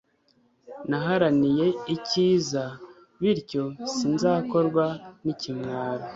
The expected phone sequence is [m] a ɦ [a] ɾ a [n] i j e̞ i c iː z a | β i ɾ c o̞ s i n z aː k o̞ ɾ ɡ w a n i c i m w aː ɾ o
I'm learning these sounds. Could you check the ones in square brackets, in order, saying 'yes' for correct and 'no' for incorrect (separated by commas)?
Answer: no, yes, yes